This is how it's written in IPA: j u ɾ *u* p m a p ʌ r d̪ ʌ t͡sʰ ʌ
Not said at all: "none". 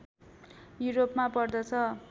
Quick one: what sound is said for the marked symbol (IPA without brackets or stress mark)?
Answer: o